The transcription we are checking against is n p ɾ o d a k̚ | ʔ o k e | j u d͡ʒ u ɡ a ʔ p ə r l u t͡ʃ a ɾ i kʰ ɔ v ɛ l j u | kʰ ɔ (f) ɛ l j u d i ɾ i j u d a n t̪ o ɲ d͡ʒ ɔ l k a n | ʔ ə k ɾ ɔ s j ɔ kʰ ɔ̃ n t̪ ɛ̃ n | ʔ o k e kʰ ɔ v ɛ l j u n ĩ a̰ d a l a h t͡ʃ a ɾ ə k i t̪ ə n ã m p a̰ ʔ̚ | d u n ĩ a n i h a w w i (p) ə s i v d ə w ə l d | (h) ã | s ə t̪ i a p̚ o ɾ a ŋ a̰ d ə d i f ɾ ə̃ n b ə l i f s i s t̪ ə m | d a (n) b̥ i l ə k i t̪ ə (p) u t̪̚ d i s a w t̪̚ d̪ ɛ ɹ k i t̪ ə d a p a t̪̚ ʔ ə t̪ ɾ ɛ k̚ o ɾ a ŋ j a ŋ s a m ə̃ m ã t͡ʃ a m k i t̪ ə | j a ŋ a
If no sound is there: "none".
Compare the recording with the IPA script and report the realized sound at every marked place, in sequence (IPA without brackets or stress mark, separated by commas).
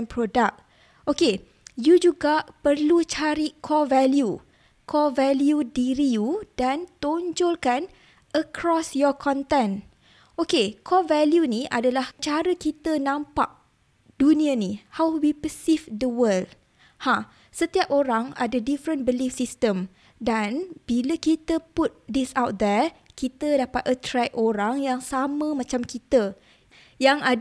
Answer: v, p, h, n, p